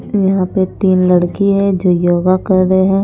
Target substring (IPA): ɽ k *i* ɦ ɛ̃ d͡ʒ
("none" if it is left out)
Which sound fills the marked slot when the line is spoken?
i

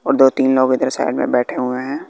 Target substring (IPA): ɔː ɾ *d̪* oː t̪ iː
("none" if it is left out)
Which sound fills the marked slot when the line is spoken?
d̪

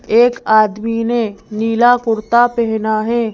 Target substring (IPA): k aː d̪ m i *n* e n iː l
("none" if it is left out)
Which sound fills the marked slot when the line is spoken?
n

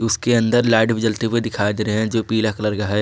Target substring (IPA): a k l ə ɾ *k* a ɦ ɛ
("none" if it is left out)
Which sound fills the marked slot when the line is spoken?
ɡ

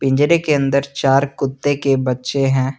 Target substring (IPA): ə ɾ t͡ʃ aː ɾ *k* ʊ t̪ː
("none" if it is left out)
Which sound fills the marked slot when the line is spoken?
k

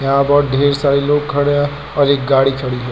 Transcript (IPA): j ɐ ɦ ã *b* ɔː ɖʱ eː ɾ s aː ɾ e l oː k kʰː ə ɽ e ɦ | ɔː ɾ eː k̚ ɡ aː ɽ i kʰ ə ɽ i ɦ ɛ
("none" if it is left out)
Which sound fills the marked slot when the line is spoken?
b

